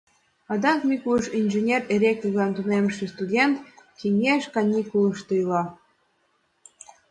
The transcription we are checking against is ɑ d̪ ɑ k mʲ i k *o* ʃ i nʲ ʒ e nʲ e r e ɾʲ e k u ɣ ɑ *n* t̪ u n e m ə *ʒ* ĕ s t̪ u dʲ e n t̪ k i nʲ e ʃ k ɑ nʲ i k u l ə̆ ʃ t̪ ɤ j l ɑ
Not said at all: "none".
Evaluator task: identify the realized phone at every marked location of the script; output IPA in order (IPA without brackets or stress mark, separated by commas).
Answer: u, n, ʃ